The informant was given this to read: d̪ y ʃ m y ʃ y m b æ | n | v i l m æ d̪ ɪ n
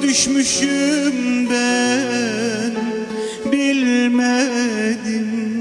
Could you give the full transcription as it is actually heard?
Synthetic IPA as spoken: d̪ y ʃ m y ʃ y m b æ | n | b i l m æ d̪ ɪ m